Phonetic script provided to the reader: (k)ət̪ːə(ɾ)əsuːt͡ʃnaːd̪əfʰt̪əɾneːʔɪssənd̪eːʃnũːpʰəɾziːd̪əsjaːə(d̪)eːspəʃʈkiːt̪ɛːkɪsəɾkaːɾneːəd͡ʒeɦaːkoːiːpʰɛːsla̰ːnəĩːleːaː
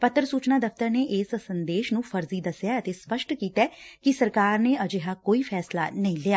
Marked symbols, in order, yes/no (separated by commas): no, yes, no